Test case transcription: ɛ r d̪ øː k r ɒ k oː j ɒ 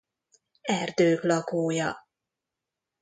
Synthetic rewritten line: ɛ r d̪ øː k l ɒ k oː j ɒ